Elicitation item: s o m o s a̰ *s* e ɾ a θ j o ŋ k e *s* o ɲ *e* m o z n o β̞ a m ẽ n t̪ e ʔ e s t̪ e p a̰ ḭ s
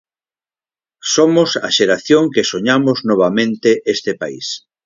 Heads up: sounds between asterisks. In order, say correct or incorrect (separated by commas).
incorrect, correct, incorrect